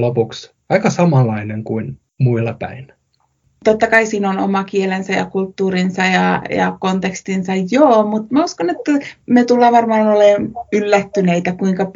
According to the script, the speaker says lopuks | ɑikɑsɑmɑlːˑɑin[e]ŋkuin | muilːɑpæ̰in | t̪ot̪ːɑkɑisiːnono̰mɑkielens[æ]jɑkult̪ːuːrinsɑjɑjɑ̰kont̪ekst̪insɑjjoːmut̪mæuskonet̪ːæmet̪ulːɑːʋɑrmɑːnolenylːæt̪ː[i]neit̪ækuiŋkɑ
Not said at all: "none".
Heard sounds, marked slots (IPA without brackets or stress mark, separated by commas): e, æ, y